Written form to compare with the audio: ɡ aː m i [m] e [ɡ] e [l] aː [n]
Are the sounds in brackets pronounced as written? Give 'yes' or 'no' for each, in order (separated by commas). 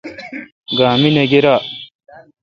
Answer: no, yes, no, no